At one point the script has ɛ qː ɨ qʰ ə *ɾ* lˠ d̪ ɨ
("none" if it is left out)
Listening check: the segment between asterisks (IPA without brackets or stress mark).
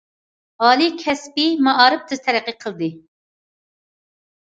none